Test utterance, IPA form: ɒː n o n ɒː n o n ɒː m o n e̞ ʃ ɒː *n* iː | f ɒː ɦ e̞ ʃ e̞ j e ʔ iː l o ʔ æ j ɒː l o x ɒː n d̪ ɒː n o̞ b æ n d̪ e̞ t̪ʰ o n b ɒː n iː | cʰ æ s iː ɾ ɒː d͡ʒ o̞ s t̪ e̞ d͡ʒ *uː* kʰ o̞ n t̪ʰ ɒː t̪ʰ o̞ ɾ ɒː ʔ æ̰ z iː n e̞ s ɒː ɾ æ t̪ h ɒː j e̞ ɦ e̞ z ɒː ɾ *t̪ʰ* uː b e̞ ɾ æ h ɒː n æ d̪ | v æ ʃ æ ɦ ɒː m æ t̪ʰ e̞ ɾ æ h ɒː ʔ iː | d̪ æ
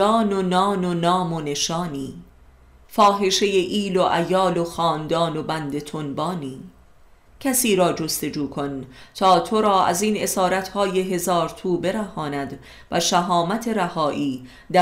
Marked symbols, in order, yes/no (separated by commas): yes, yes, yes